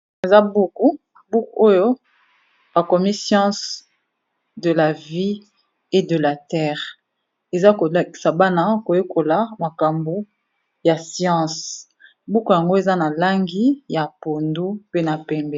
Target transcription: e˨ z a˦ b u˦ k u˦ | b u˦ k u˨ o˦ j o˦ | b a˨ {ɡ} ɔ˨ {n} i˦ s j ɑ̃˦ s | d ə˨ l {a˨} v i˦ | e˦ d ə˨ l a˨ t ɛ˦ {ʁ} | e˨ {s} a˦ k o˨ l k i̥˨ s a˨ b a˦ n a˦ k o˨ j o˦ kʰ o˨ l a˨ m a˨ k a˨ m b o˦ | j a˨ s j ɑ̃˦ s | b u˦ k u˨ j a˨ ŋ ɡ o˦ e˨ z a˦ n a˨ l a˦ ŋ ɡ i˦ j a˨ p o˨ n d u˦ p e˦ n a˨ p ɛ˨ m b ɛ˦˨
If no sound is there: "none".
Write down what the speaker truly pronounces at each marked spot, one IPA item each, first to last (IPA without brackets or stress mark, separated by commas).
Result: k, m, a˨, ʁ, z